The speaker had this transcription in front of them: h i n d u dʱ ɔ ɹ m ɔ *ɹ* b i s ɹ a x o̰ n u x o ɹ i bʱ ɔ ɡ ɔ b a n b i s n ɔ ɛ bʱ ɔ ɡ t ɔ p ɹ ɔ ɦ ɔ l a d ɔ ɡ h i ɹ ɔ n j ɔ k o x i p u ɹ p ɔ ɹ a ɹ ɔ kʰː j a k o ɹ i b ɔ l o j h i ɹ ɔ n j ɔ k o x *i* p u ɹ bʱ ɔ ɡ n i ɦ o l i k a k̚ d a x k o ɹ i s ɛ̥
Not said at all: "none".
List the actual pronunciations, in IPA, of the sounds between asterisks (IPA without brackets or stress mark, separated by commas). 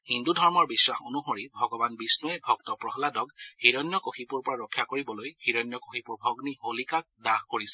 ɹ, i